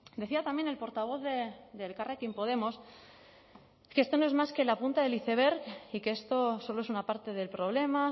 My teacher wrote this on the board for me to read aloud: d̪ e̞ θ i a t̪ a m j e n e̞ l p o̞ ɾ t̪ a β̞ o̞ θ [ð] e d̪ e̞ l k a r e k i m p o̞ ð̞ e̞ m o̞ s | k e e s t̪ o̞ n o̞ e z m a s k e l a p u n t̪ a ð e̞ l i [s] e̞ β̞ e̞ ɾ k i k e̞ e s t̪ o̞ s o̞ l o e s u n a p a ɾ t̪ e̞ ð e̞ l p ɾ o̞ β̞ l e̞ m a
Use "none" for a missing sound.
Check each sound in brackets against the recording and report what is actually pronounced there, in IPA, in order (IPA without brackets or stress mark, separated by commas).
ð, θ